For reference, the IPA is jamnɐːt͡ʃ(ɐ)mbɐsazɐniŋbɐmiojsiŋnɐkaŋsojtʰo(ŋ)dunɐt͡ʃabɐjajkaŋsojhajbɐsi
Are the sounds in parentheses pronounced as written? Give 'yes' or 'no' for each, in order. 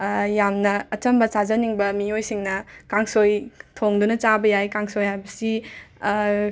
yes, yes

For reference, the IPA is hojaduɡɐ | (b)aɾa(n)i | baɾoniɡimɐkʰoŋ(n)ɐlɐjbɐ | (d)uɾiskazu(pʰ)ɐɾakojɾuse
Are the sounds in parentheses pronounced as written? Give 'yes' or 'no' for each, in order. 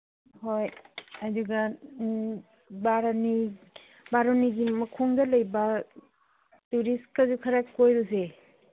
yes, yes, no, no, no

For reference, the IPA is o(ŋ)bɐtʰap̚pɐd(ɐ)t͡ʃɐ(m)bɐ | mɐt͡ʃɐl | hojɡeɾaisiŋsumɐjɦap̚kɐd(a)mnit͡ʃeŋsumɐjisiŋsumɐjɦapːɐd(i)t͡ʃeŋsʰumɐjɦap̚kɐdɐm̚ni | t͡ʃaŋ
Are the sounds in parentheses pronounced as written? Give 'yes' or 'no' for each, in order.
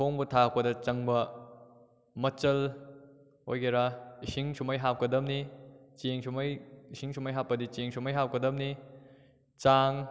yes, yes, no, no, yes

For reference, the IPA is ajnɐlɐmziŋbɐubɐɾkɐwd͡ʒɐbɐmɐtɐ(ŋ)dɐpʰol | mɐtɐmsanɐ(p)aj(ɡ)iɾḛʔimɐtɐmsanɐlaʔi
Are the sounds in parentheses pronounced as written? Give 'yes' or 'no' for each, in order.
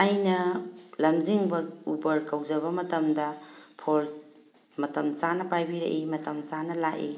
no, yes, no

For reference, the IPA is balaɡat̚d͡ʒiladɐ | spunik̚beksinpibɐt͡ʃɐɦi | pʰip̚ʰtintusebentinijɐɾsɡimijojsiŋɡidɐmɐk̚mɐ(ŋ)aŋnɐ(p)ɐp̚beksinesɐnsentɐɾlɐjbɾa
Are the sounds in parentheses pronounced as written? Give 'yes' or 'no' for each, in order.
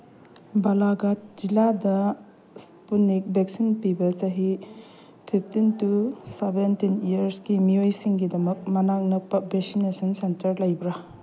no, yes

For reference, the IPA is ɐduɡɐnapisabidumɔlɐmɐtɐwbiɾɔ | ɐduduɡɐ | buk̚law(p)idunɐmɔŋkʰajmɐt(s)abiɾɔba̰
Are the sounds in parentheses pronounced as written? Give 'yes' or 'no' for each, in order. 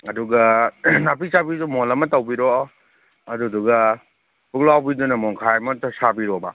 no, yes

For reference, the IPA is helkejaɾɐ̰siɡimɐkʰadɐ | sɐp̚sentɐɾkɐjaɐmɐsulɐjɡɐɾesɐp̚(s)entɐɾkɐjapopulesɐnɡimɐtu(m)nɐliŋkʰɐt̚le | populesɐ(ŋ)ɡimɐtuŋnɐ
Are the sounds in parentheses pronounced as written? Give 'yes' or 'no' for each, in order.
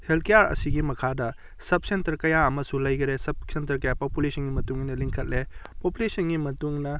yes, no, no

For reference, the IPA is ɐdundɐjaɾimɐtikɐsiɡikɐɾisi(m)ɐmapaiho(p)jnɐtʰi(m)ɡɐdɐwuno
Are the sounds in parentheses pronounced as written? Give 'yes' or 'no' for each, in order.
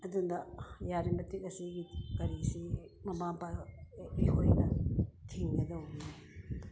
yes, no, no

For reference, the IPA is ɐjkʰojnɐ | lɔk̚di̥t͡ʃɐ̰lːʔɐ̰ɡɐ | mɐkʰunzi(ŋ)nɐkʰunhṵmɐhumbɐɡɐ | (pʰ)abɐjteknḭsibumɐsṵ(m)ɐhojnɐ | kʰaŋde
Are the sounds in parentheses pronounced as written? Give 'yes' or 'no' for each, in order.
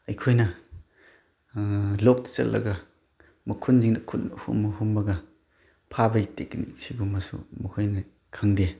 yes, yes, yes

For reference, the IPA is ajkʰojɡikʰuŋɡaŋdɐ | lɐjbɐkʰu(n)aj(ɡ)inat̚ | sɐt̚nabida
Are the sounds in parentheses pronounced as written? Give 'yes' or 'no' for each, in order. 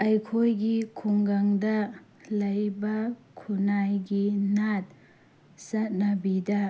yes, yes

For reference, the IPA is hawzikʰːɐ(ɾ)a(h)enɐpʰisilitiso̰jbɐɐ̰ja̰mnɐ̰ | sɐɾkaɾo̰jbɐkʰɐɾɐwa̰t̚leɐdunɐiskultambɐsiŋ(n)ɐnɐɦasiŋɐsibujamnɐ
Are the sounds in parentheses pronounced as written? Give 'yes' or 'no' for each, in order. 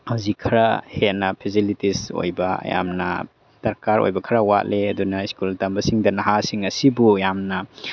yes, yes, no

